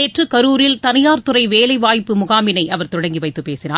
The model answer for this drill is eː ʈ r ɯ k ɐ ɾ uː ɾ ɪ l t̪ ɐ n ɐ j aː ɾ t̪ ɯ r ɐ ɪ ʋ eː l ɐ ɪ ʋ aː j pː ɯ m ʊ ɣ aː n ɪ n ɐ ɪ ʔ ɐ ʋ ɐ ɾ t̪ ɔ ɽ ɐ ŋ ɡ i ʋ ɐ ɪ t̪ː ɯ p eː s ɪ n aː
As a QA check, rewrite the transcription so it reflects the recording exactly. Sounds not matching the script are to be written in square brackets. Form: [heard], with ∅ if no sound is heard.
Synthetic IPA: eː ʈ r ɯ k ɐ ɾ uː ɾ ɪ l t̪ ɐ n ɐ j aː ɾ t̪ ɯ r ɐ ɪ ʋ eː l ɐ ɪ ʋ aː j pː ɯ m ʊ ɣ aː [m] ɪ n ɐ ɪ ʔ ɐ ʋ ɐ ɾ t̪ ɔ ɽ ɐ ŋ ɡ i ʋ ɐ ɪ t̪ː ɯ p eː s ɪ n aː